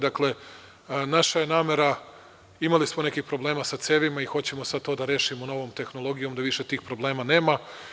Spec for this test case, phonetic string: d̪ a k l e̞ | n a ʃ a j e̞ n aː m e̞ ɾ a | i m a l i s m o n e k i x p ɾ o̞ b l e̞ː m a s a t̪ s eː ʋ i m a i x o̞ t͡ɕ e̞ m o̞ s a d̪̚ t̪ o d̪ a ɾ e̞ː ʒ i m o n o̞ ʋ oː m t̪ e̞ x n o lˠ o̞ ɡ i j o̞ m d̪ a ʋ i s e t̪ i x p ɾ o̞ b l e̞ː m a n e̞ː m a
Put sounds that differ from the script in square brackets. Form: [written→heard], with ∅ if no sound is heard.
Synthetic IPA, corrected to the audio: d̪ a k l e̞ | n a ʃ a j e̞ n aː m e̞ ɾ a | i m a l i s m o n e k i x p ɾ o̞ b l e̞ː m a s a t̪ s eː ʋ i m a i x o̞ t͡ɕ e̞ m o̞ s a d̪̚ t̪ o d̪ a ɾ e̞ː [ʒ→ʃ] i m o n o̞ ʋ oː m t̪ e̞ x n o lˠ o̞ ɡ i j o̞ m d̪ a ʋ i [s→ʃ] e t̪ [i→iː] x p ɾ o̞ b l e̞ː m a n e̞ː m a